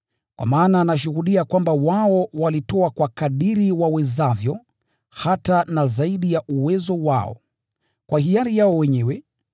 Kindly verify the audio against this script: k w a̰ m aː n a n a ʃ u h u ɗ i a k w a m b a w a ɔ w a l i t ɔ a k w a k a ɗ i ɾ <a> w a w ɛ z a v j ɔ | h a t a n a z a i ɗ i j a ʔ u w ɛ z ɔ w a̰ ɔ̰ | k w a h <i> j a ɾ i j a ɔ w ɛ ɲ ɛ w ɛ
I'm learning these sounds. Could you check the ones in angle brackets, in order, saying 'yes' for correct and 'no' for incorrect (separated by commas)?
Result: no, yes